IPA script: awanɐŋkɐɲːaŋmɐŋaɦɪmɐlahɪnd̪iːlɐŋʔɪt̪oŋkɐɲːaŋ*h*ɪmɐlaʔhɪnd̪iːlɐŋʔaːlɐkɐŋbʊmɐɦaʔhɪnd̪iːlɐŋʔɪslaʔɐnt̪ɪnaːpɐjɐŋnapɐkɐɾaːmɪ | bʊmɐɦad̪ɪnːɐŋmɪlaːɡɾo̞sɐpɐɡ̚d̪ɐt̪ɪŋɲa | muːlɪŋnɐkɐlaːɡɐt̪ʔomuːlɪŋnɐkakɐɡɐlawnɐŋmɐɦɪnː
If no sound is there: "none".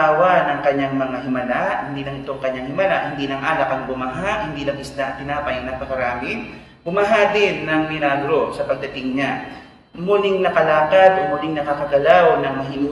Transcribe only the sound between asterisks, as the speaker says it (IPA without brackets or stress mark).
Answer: h